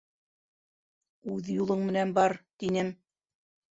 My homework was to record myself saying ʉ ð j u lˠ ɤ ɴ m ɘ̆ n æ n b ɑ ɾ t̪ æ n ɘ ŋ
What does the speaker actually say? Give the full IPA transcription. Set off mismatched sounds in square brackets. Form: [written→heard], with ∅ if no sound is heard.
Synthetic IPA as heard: ʉ ð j u lˠ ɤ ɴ m ɘ̆ n æ n b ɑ ɾ t̪ [æ→i] n ɘ [ŋ→m]